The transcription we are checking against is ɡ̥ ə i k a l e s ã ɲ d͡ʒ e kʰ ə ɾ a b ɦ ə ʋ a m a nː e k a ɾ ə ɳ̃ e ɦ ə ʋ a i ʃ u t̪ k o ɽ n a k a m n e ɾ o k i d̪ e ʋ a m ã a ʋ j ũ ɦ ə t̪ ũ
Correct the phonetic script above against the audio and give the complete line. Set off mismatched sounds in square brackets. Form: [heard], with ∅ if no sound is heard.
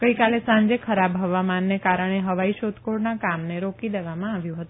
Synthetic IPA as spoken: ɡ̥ ə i k a l e s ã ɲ d͡ʒ e kʰ ə ɾ a b ɦ ə ʋ a m a nː e k a ɾ ə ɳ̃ e ɦ ə ʋ a i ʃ [o] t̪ k o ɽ n a k a m n e ɾ o k i d̪ e ʋ a m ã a ʋ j ũ ɦ ə t̪ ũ